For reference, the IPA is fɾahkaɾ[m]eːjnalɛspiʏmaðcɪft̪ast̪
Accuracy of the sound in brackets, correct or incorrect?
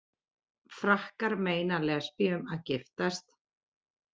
correct